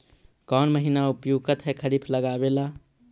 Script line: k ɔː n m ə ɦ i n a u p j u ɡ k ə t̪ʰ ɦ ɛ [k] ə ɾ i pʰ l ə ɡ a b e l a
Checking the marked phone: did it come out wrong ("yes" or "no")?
yes